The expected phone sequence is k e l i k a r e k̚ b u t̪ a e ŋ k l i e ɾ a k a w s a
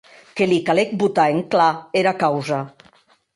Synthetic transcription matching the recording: k e l i k a l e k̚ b u t̪ a e ŋ k l a e ɾ a k a w z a